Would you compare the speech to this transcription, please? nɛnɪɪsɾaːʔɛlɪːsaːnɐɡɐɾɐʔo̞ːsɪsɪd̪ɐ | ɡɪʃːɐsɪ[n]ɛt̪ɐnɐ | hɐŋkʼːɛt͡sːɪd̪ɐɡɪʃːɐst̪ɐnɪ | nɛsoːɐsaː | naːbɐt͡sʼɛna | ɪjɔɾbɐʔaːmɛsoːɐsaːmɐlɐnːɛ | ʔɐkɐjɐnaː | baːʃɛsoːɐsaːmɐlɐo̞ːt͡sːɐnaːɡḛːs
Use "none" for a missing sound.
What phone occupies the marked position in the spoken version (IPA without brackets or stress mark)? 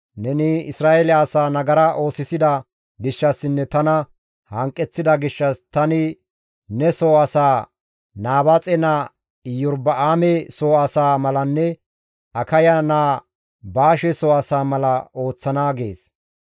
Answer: nː